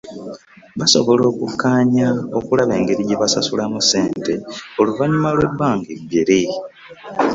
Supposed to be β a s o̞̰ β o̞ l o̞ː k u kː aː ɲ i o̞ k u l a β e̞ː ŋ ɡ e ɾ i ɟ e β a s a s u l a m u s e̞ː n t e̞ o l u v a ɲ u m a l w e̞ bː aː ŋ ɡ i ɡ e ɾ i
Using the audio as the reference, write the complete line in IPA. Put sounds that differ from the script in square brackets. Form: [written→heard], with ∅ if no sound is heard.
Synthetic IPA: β a s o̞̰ β o̞ l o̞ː k u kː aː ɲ [i→a] o̞ k u l a β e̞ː ŋ ɡ e ɾ i ɟ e β a s a s u l a m u s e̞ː n t e̞ o l u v a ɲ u m a l w e̞ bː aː ŋ ɡ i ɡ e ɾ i